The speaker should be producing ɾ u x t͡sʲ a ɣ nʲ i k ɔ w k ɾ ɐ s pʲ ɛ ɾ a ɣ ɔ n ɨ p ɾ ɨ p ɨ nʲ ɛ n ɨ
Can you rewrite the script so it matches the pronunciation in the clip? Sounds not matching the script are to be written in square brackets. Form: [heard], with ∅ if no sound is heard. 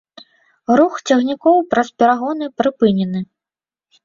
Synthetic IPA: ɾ u x t͡sʲ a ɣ nʲ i k ɔ w [p] ɾ ɐ s pʲ ɛ ɾ a ɣ ɔ n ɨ p ɾ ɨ p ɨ nʲ ɛ n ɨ